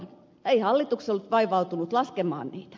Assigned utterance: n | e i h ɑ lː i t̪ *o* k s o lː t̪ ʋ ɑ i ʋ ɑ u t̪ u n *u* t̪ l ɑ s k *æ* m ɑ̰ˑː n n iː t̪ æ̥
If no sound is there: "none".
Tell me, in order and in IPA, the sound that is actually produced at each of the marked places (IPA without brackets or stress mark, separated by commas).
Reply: u, u, e